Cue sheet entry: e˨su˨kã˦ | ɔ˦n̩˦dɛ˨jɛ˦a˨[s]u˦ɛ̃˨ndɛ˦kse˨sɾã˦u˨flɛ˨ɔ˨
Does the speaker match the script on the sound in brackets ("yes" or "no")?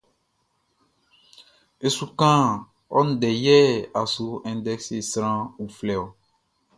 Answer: yes